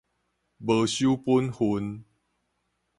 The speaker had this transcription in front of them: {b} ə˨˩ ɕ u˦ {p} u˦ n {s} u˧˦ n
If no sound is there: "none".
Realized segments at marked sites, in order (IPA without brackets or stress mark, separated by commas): b, p, h